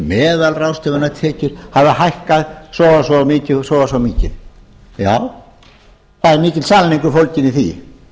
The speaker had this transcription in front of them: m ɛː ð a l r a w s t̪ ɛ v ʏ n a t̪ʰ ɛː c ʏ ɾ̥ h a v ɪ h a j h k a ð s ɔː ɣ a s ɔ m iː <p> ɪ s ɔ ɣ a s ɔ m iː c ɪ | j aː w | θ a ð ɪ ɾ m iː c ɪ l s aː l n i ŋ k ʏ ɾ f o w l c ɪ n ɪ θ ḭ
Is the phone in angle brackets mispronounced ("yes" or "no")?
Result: yes